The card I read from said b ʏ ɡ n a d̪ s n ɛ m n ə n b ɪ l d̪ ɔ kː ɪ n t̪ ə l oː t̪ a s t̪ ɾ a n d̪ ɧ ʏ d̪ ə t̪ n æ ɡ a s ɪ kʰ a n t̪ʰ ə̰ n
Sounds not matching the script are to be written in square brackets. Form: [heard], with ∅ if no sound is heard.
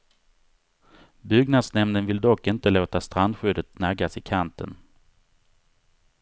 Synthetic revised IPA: b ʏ ɡ n a d̪ s n ɛ m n ə n [v] ɪ l d̪ ɔ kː ɪ n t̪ ə l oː t̪ a s t̪ ɾ a n d̪ ɧ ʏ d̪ ə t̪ n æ ɡ a s ɪ kʰ a n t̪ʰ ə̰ n